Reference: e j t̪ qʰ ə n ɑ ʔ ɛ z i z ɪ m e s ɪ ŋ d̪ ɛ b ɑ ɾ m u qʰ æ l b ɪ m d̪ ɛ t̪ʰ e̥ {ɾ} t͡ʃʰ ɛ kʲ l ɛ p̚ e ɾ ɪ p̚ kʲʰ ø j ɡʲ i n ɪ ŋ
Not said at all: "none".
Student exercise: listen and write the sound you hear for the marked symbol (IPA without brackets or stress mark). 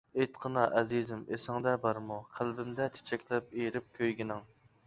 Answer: none